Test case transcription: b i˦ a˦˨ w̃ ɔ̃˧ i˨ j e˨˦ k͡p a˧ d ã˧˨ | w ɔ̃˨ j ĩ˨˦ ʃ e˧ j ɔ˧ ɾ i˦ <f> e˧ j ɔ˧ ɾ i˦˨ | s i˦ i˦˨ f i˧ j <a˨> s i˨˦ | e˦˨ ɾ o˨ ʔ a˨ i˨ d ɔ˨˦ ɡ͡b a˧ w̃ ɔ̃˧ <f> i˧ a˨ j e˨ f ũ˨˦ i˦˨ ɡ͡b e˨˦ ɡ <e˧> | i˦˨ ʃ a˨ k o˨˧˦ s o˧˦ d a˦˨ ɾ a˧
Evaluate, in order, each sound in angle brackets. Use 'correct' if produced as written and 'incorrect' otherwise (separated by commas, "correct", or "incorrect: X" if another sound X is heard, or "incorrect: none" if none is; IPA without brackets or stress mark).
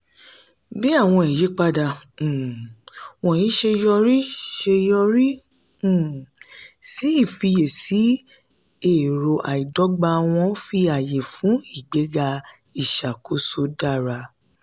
incorrect: ʃ, incorrect: e˨, correct, incorrect: a˧